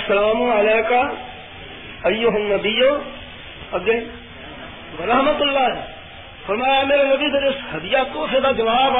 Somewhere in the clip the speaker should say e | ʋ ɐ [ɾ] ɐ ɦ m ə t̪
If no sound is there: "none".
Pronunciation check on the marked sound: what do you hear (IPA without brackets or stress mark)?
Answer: ɾ